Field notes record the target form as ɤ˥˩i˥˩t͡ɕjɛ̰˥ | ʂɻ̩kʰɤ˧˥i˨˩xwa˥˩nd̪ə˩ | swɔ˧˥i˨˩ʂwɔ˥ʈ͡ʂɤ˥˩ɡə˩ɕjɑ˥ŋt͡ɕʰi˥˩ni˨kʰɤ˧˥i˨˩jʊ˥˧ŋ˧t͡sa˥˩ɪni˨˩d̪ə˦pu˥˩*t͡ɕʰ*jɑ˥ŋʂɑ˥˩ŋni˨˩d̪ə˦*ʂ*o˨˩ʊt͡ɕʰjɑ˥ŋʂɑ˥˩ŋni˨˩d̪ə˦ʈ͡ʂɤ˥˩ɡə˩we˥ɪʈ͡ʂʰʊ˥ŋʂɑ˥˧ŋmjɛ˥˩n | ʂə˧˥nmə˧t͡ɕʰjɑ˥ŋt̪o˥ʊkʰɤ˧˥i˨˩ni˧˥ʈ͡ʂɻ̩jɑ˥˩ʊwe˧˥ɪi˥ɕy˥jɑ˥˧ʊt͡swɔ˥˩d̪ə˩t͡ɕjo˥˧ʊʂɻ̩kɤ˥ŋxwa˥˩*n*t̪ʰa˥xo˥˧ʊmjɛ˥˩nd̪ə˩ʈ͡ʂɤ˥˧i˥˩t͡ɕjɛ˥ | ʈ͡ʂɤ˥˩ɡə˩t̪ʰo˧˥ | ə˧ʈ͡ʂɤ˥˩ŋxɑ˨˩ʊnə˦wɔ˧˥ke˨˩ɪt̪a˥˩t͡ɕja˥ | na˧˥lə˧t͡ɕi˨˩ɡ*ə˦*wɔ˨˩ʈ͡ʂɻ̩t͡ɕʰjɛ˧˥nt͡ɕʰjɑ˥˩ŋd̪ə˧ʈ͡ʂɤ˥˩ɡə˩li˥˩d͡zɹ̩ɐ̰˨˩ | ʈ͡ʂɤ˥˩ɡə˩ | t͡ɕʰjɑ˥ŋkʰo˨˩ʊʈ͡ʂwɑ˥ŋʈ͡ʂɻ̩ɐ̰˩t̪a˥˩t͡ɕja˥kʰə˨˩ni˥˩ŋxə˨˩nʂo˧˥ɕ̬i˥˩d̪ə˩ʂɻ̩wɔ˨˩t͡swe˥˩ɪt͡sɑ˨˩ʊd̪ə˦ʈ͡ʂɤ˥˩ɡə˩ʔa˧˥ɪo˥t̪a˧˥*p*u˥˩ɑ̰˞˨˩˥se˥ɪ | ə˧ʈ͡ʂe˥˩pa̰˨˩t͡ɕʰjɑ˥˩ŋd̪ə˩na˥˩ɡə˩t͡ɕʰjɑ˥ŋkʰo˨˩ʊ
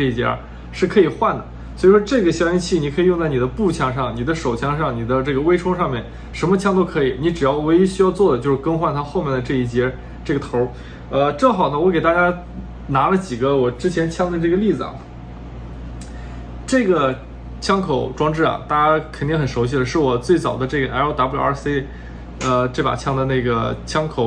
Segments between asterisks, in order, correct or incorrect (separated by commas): correct, correct, correct, correct, correct